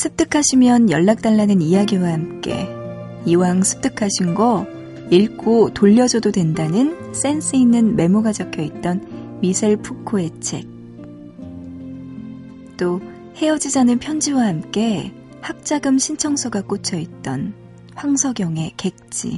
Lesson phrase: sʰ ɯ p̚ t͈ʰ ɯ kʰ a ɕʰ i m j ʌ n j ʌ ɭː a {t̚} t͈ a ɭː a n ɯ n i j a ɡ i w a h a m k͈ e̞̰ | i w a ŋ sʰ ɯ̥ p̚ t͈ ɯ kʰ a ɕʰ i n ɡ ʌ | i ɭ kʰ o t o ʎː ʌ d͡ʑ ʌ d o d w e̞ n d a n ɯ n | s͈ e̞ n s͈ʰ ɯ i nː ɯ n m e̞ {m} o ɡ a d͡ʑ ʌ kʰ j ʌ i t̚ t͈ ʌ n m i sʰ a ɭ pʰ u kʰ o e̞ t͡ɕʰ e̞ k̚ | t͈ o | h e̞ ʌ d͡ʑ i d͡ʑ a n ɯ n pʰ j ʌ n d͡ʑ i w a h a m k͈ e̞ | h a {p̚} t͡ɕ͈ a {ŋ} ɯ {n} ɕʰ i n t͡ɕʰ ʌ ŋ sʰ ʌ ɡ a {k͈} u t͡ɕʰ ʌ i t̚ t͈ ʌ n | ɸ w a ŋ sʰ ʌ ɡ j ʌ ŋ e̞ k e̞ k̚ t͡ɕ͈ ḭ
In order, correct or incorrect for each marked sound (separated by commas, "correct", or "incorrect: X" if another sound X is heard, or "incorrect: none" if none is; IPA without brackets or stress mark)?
incorrect: k̚, correct, incorrect: k̚, incorrect: ɡ, incorrect: m, correct